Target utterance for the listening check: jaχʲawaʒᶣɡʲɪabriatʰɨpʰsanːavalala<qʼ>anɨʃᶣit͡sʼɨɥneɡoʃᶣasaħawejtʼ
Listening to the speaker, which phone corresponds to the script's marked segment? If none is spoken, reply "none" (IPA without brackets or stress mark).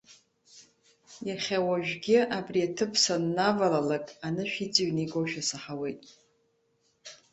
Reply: kʼ